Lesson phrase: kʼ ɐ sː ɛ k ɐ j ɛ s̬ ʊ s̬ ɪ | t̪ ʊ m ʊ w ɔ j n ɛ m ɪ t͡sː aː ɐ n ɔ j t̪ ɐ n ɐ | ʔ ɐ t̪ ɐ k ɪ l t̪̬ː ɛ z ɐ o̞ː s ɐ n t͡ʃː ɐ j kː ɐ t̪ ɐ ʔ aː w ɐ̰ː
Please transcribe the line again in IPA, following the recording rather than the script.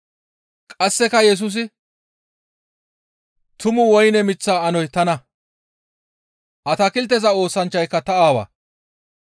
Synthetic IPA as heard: kʼ ɐ sː ɛ k ɐ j ɛ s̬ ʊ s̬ ɪ | t̪ ʊ m ʊ w ɔ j n ɛ m ɪ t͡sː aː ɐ n ɔ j t̪ ɐ n ɐ | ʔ ɐ t̪ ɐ k ɪ l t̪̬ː ɛ z ɐ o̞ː s ɐ n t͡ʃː ɐ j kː ɐ t̪ ɐ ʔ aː w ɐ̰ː